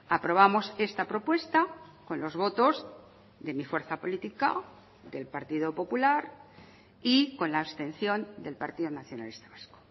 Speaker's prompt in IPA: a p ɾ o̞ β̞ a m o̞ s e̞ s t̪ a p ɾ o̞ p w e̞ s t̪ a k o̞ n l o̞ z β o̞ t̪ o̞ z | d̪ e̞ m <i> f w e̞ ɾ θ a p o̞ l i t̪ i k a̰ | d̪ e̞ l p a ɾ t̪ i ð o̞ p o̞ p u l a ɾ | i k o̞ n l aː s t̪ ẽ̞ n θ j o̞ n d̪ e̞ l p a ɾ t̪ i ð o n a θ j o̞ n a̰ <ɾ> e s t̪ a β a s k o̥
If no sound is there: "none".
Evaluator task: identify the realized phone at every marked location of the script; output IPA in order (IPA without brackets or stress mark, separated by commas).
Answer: i, l